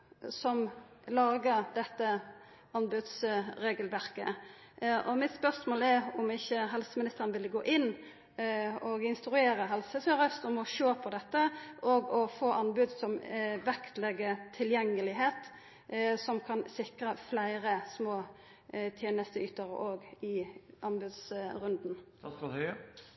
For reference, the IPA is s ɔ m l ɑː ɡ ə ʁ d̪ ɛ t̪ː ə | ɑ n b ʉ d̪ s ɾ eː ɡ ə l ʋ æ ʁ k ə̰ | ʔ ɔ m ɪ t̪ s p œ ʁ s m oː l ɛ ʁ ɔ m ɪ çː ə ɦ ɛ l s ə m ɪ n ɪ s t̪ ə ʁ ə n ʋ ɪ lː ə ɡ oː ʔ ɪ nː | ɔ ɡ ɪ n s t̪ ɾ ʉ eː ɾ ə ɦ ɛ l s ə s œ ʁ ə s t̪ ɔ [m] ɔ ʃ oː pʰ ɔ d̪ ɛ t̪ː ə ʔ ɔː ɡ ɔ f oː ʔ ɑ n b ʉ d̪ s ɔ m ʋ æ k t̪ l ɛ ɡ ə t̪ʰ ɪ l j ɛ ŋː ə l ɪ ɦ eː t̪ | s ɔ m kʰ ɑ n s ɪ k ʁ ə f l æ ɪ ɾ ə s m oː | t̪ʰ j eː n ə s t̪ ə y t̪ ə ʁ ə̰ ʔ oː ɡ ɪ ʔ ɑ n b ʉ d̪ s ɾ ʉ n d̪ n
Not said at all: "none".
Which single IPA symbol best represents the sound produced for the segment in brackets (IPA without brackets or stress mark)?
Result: m